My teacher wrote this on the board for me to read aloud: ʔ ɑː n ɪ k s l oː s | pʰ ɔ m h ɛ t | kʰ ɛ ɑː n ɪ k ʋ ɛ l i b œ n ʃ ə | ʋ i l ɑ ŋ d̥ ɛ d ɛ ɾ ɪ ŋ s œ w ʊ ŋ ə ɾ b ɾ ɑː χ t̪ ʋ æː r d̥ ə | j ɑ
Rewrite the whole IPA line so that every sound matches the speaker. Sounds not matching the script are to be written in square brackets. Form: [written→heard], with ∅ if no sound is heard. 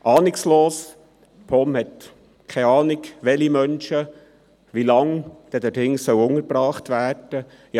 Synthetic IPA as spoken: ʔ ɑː n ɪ k s l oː s | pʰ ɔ m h ɛ t | kʰ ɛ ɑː n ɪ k ʋ ɛ l i [b→m] œ n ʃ ə | ʋ i l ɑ ŋ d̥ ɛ d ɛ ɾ ɪ ŋ s œ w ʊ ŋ ə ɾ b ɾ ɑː χ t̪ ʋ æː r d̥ ə | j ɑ